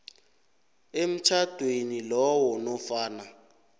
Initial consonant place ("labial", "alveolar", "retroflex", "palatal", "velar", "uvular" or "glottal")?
labial